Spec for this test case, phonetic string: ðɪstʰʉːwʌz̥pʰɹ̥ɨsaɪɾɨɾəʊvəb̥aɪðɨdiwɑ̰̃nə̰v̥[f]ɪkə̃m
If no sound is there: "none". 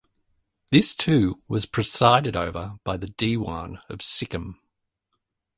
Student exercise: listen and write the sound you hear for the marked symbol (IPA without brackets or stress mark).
s